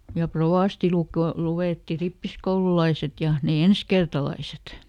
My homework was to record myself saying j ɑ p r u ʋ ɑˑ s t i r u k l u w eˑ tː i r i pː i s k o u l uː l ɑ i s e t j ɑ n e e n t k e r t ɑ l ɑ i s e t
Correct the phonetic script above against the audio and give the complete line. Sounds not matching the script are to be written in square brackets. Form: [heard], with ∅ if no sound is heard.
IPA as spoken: j ɑ p r [o] ʋ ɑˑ s t i [l] u k l u w eˑ tː i r i pː i s k o u l [u] l ɑ i s e t j ɑ n e e n [s] k e r t ɑ l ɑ i s e t